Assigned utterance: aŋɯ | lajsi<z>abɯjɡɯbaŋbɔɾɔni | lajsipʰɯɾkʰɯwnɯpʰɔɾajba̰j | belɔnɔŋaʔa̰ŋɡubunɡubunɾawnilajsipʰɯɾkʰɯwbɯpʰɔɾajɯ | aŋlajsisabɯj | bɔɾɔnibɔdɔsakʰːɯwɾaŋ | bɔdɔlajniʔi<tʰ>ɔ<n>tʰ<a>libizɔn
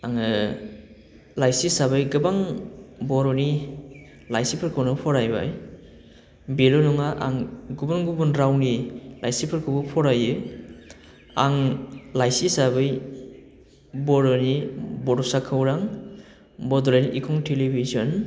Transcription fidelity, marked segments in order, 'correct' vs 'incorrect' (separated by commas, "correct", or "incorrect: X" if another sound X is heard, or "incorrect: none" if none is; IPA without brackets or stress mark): incorrect: s, incorrect: kʰ, incorrect: ŋ, incorrect: e